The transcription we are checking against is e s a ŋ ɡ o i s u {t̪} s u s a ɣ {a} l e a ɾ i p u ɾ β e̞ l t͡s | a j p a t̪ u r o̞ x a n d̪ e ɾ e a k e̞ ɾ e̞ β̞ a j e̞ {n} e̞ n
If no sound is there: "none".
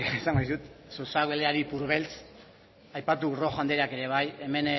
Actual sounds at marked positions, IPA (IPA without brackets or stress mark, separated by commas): t̪, e, m